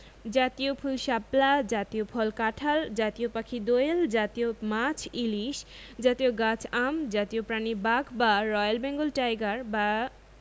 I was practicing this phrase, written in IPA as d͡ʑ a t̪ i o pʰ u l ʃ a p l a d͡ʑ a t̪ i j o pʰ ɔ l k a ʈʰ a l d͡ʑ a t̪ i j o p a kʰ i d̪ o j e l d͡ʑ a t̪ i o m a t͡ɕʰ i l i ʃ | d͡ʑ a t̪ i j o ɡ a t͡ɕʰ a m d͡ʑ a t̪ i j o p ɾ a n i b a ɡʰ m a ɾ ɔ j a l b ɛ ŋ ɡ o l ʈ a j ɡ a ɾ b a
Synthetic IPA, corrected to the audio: d͡ʑ a t̪ i o pʰ u l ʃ a p l a d͡ʑ a t̪ i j o pʰ ɔ l k a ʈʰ a l d͡ʑ a t̪ i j o p a kʰ i d̪ o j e l d͡ʑ a t̪ i o m a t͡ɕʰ i l i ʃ | d͡ʑ a t̪ i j o ɡ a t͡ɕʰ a m d͡ʑ a t̪ i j o p ɾ a n i b a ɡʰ b a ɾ ɔ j a l b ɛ ŋ ɡ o l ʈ a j ɡ a ɾ b a

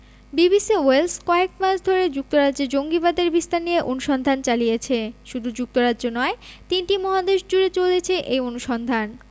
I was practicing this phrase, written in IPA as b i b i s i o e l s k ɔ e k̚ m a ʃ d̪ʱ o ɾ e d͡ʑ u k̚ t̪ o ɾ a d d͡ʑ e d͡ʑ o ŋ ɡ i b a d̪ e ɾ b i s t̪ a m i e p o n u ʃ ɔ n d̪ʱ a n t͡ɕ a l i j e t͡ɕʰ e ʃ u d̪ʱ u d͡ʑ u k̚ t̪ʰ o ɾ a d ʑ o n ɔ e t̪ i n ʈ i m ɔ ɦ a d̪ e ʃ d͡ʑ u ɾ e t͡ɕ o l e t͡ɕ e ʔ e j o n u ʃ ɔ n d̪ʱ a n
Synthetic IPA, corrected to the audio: b i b i s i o e l s k ɔ e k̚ m a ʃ d̪ʱ o ɾ e d͡ʑ u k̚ t̪ o ɾ a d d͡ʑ e d͡ʑ o ŋ ɡ i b a d̪ e ɾ b i s t̪ a n i e ʔ o n u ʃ ɔ n d̪ʱ a n t͡ɕ a l i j e t͡ɕʰ e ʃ u d̪ʱ u d͡ʑ u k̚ t̪ o ɾ a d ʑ o n ɔ e t̪ i n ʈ i m ɔ ɦ a d̪ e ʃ d͡ʑ u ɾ e t͡ɕ o l e t͡ɕʰ e ʔ e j o n u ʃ ɔ n d̪ʱ a n

